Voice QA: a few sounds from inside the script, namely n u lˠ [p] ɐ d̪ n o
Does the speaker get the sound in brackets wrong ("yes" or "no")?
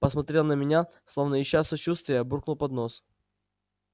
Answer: no